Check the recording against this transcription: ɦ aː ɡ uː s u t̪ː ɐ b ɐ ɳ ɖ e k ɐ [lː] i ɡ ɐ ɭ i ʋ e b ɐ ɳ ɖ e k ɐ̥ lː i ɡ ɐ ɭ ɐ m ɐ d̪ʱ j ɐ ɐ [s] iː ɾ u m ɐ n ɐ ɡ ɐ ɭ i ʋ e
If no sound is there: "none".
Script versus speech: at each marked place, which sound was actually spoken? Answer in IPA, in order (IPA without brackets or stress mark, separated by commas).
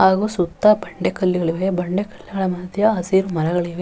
lː, s